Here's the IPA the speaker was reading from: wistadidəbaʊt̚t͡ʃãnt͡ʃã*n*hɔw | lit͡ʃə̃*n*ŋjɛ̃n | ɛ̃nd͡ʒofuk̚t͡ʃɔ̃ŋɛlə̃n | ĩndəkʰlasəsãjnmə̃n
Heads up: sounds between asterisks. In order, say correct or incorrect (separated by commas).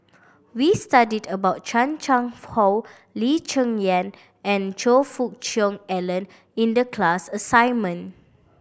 incorrect, incorrect